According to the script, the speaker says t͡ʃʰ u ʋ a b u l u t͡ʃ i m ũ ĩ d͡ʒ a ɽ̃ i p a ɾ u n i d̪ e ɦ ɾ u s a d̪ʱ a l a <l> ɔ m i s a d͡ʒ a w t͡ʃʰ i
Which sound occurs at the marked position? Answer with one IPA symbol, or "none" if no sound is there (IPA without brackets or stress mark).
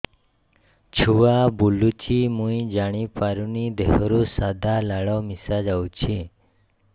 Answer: ɭ